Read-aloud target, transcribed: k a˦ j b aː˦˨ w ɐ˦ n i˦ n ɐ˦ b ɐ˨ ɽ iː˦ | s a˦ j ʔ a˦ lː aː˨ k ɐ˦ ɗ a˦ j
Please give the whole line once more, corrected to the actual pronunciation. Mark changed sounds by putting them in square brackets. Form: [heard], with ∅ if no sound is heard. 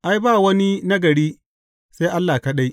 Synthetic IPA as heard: [ʔ] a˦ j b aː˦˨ w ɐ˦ n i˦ n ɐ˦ [ɡ] ɐ˨ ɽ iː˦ | s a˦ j ʔ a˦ lː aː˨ k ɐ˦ ɗ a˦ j